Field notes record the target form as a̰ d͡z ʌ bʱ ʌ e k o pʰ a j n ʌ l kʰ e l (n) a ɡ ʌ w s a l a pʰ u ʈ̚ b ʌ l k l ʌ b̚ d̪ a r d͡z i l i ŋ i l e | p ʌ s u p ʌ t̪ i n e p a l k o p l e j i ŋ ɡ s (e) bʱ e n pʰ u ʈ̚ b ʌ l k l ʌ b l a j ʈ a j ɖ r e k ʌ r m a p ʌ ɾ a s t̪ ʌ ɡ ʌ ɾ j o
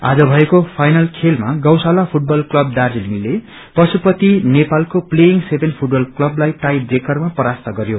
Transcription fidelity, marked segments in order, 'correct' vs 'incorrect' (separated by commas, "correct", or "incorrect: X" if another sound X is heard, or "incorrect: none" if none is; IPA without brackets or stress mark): incorrect: m, correct